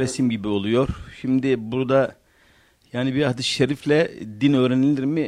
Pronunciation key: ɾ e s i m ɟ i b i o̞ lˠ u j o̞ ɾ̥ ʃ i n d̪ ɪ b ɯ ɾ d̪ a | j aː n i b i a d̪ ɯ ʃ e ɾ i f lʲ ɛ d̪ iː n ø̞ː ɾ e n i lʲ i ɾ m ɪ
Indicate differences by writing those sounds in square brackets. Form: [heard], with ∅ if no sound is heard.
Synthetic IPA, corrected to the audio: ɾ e s i m ɟ i b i o̞ lˠ u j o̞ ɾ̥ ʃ i [m] d̪ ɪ b [u] ɾ d̪ a | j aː n i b i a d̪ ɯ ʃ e ɾ i f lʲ ɛ d̪ [i] n ø̞ː ɾ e n i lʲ i ɾ m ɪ